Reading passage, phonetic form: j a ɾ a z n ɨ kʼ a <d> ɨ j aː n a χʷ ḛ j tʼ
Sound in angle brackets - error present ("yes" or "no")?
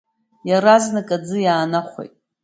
yes